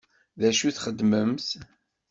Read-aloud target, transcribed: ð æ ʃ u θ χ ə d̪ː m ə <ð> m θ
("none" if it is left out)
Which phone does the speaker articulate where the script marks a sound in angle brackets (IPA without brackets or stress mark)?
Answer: none